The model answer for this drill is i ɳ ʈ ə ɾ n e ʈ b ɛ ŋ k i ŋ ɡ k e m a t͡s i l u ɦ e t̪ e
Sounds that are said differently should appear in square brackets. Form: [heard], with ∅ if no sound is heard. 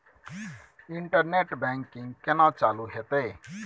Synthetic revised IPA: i ɳ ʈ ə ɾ n e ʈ b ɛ ŋ k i ŋ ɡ k e [n] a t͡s [a] l u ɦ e t̪ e